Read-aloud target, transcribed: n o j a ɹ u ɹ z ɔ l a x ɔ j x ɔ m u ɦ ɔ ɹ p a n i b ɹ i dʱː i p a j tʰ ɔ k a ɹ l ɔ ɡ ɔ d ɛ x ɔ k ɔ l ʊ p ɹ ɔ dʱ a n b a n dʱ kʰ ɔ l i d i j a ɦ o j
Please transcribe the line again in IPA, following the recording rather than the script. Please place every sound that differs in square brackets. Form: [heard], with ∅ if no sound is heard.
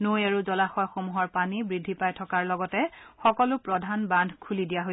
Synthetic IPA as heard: n o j a ɹ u [∅] z ɔ l a x ɔ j x [o] m u ɦ ɔ ɹ p a n i b ɹ i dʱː i p a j tʰ ɔ k a ɹ l ɔ ɡ ɔ [t] ɛ x ɔ k ɔ l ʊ p ɹ ɔ dʱ a n b a n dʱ kʰ [u] l i d i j a ɦ o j